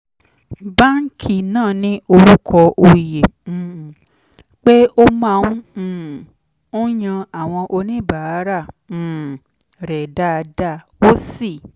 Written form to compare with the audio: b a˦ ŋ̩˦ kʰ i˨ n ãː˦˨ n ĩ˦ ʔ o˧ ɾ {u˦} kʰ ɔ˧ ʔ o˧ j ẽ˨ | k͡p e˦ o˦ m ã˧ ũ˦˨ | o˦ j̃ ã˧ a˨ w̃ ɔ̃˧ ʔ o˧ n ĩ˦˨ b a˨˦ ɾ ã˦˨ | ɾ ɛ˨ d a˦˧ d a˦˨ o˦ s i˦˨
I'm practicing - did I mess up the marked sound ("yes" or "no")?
no